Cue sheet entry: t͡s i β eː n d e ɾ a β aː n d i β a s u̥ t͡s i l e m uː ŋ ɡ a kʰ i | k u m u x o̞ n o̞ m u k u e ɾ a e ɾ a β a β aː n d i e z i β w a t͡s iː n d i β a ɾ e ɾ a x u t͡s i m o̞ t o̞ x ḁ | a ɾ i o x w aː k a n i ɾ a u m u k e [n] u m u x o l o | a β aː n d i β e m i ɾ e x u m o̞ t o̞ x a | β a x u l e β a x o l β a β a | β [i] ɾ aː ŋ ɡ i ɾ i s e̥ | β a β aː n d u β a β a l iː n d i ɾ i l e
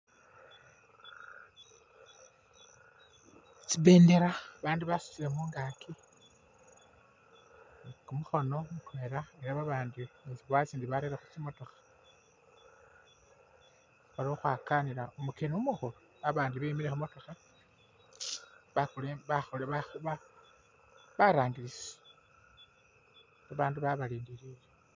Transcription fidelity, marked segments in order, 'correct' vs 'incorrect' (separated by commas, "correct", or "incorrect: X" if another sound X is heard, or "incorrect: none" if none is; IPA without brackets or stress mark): correct, incorrect: a